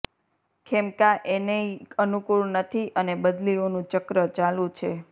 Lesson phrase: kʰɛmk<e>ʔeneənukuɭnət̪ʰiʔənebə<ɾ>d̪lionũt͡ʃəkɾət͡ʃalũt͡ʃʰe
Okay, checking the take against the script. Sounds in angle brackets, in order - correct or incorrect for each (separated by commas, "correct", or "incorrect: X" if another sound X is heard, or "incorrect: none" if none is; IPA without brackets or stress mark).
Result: incorrect: a, incorrect: none